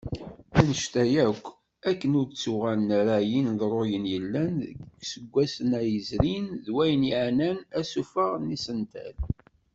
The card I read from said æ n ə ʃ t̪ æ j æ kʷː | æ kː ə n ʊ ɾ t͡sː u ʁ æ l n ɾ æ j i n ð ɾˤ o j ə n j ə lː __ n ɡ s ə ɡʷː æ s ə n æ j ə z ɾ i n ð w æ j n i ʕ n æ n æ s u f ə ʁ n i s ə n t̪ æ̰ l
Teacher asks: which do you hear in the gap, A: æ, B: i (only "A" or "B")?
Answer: A